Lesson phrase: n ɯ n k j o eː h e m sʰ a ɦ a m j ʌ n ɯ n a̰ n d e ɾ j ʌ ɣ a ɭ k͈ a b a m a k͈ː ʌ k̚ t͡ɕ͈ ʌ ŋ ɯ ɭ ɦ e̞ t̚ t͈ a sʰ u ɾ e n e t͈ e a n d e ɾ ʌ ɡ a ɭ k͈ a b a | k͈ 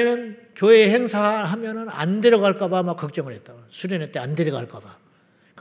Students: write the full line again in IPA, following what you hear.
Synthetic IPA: n ɯ n k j o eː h e ŋ sʰ a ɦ a m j ʌ n ɯ n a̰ n d e ɾ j ʌ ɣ a ɭ k͈ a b a m a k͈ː ʌ k̚ t͡ɕ͈ ʌ ŋ ɯ ɭ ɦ e̞ t̚ t͈ a sʰ u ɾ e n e t͈ e a n d e ɾ ʌ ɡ a ɭ k͈ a b a | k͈